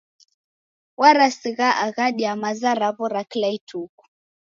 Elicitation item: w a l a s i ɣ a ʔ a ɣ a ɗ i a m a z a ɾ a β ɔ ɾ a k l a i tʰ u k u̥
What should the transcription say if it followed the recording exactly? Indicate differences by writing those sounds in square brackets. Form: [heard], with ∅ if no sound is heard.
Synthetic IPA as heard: w a [ɾ] a s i ɣ a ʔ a ɣ a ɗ i a m a z a ɾ a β ɔ ɾ a k l a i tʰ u k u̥